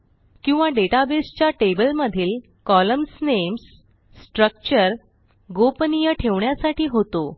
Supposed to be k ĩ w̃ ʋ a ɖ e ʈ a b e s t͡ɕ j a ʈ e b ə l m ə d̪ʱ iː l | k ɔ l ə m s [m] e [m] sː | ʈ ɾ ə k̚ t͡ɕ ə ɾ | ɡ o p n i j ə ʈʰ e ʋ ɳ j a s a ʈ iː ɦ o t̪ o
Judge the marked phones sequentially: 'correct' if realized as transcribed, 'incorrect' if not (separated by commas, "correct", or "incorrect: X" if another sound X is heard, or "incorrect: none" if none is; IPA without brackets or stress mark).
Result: incorrect: n, correct